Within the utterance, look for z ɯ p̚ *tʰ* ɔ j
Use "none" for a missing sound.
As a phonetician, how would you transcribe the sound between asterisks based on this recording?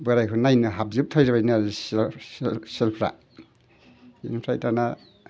tʰ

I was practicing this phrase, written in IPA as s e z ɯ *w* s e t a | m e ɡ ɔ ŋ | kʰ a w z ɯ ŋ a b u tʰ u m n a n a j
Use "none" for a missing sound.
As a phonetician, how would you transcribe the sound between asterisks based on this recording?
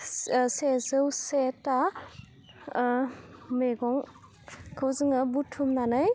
w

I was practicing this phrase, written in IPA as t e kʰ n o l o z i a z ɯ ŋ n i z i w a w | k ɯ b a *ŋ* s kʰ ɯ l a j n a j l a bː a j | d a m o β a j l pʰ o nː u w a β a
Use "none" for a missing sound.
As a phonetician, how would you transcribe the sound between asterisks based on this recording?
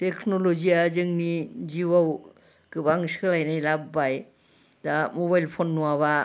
ŋ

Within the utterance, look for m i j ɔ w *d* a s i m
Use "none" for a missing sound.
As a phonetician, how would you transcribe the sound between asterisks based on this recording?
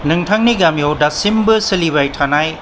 d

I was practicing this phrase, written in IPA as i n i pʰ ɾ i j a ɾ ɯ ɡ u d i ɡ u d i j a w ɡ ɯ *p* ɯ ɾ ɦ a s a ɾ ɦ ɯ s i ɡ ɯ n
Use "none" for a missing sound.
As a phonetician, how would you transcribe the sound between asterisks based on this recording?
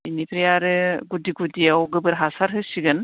b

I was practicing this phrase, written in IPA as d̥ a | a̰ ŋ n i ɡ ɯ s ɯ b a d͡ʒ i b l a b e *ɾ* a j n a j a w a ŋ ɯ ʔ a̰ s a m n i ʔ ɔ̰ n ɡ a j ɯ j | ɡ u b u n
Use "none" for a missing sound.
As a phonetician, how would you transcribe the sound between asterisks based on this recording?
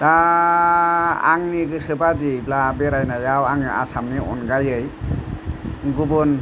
ɾ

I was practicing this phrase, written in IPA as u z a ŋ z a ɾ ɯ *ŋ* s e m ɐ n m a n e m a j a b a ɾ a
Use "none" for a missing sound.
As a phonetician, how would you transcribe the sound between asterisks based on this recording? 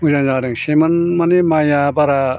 ŋ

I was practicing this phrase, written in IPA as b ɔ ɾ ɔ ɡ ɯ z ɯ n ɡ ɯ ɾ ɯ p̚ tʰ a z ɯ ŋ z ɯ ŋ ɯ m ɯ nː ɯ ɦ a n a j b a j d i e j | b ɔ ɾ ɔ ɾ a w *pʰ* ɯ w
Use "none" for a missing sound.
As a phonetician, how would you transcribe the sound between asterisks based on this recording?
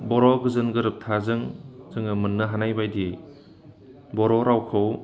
kʰ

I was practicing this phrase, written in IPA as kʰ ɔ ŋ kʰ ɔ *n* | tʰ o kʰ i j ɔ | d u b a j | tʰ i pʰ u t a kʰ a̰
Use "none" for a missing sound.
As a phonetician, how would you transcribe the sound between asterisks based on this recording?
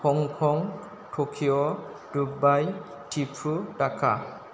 ŋ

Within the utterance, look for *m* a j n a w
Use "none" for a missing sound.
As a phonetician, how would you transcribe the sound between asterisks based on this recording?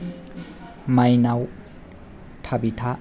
m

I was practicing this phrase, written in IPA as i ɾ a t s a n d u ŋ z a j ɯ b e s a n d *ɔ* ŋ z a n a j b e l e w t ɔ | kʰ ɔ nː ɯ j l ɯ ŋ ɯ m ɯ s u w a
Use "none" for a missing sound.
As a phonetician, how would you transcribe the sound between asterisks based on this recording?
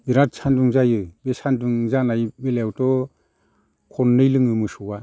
u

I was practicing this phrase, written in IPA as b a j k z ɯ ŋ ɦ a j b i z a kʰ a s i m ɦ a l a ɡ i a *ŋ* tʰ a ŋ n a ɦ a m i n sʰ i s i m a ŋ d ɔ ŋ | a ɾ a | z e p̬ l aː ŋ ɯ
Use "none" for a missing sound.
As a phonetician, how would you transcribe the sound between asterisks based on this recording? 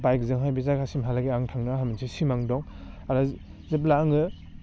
ŋ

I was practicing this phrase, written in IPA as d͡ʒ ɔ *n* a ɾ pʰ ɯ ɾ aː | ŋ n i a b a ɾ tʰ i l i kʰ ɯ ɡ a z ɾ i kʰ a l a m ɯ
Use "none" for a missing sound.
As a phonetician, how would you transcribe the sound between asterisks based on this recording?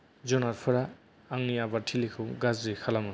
n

